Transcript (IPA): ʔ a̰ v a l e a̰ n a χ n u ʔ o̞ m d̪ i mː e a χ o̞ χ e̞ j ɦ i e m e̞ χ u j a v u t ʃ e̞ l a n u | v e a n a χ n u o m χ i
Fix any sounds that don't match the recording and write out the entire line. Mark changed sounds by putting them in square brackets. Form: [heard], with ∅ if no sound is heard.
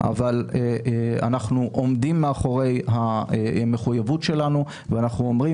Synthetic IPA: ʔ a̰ v a l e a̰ n a χ n u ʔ o̞ m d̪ i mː e a χ o̞ [ʁ] e̞ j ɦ [a] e m e̞ χ u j a v u t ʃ e̞ l a n u | v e a n a χ n u o m [ʁ] i